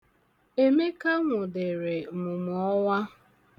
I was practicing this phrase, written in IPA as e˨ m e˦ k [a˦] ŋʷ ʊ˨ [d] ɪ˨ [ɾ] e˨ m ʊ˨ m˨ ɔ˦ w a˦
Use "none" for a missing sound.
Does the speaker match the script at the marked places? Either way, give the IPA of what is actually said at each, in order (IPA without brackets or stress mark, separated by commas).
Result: a˦, d, ɾ